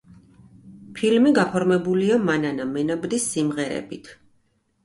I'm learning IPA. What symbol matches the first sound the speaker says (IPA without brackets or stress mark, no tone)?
pʰ